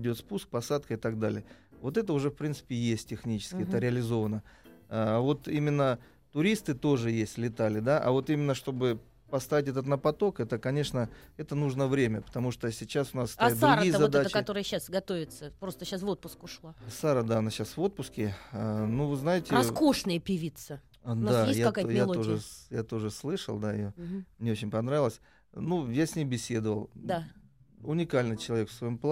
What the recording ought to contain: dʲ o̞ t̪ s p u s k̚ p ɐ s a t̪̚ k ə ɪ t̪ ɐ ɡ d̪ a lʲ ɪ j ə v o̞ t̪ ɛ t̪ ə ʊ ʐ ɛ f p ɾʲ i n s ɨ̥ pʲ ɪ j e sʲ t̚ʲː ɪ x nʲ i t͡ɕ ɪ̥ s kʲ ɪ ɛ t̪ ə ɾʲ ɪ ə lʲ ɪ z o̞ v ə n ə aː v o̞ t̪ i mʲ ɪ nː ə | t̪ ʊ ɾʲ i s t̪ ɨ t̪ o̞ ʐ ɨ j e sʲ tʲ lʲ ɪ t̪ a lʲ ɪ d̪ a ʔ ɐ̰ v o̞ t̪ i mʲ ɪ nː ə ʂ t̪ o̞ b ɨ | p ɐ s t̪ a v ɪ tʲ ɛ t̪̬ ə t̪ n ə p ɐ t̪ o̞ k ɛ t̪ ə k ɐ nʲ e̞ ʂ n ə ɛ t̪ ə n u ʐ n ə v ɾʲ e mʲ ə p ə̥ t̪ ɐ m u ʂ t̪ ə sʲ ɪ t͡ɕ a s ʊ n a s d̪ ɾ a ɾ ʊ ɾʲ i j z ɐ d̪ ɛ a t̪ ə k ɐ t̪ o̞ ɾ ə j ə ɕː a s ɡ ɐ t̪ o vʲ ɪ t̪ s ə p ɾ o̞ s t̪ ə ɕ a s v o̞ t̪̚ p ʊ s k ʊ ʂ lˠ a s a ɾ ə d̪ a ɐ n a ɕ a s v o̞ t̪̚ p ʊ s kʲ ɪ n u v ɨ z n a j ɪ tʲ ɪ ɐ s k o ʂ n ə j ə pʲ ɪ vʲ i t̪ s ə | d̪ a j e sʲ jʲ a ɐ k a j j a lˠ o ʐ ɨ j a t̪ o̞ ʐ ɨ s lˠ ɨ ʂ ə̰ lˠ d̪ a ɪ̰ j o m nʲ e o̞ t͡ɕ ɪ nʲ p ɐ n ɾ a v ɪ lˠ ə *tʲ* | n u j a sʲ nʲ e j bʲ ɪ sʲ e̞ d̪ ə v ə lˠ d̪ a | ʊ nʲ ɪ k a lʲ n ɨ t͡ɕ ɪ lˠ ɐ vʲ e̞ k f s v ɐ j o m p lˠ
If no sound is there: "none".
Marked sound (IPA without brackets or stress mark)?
sʲ